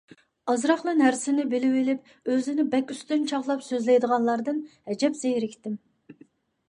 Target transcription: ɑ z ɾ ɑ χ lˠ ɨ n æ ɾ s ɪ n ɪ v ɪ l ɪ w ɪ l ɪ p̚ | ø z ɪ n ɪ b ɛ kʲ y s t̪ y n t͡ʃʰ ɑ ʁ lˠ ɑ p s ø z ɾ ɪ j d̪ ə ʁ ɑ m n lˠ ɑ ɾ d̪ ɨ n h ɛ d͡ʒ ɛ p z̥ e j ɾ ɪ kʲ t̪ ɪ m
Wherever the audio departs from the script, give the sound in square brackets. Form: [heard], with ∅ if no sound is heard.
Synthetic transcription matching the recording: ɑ z ɾ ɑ χ lˠ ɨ n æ ɾ s ɪ n ɪ [b] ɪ l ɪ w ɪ l ɪ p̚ | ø z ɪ n ɪ b ɛ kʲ y s t̪ y n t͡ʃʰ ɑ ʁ lˠ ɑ p s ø z [l] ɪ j d̪ ə ʁ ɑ [∅] n lˠ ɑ ɾ d̪ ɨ n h ɛ d͡ʒ ɛ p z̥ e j ɾ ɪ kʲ t̪ ɪ m